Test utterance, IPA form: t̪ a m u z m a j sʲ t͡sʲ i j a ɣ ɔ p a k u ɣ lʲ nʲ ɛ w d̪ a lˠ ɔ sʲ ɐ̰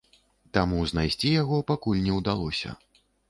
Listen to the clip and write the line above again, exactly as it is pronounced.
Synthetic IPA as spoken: t̪ a m u z n a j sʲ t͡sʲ i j a ɣ ɔ p a k u lʲ nʲ ɛ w d̪ a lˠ ɔ sʲ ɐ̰

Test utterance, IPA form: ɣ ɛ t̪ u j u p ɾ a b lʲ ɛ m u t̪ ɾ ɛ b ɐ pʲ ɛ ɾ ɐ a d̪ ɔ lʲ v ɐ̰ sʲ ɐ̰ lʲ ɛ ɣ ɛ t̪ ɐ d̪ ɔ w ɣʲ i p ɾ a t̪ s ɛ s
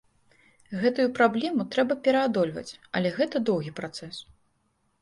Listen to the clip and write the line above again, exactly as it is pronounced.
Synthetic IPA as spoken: ɣ ɛ t̪ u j u p ɾ a b lʲ ɛ m u t̪ ɾ ɛ b ɐ pʲ ɛ ɾ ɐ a d̪ ɔ lʲ v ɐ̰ t͡sʲ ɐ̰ lʲ ɛ ɣ ɛ t̪ ɐ d̪ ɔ w ɣʲ i p ɾ a t̪ s ɛ s

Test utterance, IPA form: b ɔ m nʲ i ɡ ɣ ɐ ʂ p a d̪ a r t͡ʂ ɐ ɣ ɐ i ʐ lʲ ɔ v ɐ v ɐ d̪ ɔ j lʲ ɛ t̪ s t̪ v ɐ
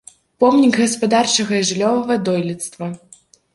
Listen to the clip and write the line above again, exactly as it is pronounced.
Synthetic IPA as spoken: p ɔ m nʲ i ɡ ɣ ɐ s p a d̪ a r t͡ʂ ɐ ɣ ɐ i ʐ lʲ ɔ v ɐ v ɐ d̪ ɔ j lʲ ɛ t̪ s t̪ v ɐ

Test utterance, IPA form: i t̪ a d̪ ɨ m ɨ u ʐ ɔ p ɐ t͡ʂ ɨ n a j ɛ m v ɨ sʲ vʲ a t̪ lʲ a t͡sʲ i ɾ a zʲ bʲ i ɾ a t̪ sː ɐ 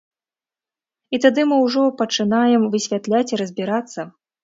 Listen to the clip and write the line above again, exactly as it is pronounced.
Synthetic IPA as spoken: i t̪ a d̪ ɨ m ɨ w ʐ ɔ p ɐ t͡ʂ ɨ n a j ɛ m v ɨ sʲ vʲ a t̪ lʲ a t͡sʲ i ɾ ɐ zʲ bʲ i ɾ a t̪ sː ɐ

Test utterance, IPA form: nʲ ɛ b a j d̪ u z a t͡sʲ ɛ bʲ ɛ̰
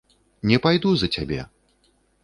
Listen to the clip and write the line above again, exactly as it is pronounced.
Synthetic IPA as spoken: nʲ ɛ p a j d̪ u z ɐ t͡sʲ a bʲ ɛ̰

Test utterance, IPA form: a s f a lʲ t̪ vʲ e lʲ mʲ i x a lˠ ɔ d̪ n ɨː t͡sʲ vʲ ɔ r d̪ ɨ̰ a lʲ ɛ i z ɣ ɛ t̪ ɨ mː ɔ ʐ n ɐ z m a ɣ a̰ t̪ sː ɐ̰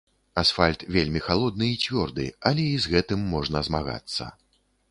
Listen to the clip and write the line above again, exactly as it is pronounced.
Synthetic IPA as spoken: a s f a lʲ t̪ vʲ e lʲ mʲ i x a lˠ ɔ d̪ n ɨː t͡sʲ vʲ ɔ r d̪ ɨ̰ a lʲ ɛ i z ɣ ɛ t̪ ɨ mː ɔ ʐ n ɐ z m a ɣ a̰ t̪ sː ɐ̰

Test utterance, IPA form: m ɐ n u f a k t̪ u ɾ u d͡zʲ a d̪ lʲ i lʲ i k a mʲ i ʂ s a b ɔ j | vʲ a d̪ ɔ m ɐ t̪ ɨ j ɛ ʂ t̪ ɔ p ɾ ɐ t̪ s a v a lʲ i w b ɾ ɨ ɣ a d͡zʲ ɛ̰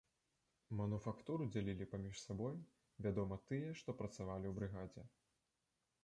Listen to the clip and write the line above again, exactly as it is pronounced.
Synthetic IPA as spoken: m ɐ n u f a k t̪ u ɾ u d͡zʲ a lʲ i lʲ i p a mʲ i ʂ s a b ɔ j | vʲ a d̪ ɔ m ɐ t̪ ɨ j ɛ ʂ t̪ ɔ p ɾ ɐ t̪ s a v a lʲ i w b ɾ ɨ ɣ a d͡zʲ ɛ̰

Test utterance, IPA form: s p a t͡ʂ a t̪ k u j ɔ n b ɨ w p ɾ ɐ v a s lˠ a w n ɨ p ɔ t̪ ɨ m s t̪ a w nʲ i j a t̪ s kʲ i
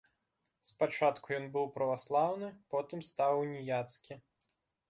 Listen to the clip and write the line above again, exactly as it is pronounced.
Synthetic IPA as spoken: s p a t͡ʂ a t̪ k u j ɔ n b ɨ w p ɾ ɐ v a s lˠ a w n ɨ p ɔ t̪ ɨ m s t̪ a w nʲ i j a t̪ s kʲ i

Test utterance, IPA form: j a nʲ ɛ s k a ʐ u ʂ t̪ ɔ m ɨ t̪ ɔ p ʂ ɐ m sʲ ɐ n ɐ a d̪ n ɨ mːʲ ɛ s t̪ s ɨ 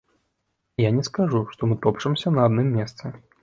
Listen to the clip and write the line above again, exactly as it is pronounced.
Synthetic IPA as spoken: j a nʲ ɛ s k a ʐ u ʂ t̪ ɔ m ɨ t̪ ɔ p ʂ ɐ m sʲ ɐ n ɐ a d̪ n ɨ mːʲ ɛ s t̪ s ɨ

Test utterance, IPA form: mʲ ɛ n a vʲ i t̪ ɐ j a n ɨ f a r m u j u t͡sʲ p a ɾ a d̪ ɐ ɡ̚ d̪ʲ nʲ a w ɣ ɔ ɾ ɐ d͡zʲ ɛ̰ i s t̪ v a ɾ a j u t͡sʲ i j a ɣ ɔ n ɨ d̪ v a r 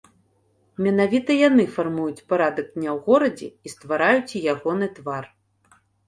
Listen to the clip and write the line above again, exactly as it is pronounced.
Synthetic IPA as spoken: mʲ ɛ n a vʲ i t̪ ɐ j a n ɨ f a r m u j u t͡sʲ p a ɾ a d̪ ɐ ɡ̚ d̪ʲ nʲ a w ɣ ɔ ɾ ɐ d͡zʲ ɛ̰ i s t̪ v a ɾ a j u t͡sʲ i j a ɣ ɔ n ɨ t̪ v a r

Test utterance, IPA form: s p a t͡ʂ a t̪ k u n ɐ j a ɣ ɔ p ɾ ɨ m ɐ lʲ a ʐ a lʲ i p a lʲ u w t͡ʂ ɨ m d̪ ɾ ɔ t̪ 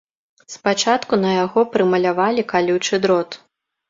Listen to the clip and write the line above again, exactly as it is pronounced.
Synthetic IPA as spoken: s p a t͡ʂ a t̪ k u n ɐ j a ɣ ɔ p ɾ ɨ m ɐ lʲ a v a lʲ i k a lʲ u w t͡ʂ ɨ d̪ ɾ ɔ t̪

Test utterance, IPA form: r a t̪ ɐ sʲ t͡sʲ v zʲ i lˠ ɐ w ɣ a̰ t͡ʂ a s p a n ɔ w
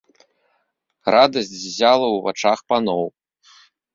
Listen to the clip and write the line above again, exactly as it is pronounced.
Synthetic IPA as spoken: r a d̪ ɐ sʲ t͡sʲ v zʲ a lˠ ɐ w v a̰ t͡ʂ a x p a n ɔ w

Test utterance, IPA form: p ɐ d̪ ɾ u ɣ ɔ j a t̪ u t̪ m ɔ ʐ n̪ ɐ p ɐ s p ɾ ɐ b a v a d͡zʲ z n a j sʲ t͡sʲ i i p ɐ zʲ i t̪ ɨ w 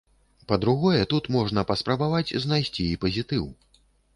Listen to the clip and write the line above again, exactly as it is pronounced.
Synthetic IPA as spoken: p ɐ d̪ ɾ u ɣ ɔ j ɛ t̪ u t̪ m ɔ ʐ n̪ ɐ p ɐ s p ɾ ɐ b a v a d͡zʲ z n a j sʲ t͡sʲ i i p ɐ zʲ i t̪ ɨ w

